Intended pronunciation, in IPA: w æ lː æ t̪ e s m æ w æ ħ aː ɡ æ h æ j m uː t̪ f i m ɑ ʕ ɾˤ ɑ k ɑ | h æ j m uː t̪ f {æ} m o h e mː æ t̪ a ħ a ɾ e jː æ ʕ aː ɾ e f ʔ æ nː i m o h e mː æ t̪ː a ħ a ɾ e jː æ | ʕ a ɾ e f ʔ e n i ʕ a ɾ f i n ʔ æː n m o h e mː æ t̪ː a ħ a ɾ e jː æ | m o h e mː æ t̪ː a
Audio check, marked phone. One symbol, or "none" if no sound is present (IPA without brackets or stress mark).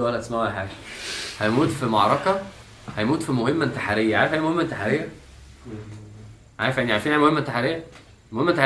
i